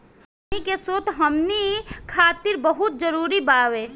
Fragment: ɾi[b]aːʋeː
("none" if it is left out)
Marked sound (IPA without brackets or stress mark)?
b